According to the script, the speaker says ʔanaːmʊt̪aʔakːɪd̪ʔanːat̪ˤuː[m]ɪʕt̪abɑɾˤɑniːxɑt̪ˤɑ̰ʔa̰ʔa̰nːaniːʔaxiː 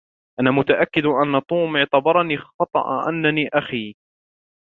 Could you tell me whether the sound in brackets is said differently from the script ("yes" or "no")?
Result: no